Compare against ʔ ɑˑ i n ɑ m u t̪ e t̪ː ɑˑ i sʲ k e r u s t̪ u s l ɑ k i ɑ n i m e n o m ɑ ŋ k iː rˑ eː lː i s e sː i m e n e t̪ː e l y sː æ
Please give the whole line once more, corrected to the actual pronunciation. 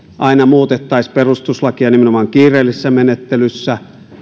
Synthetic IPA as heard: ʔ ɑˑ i n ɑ m uː t̪ e t̪ː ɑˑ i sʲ p e r u s t̪ u s l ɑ k i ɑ n i m e n o m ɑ ŋ k iː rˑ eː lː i s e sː æ m e n e t̪ː e l y sː æ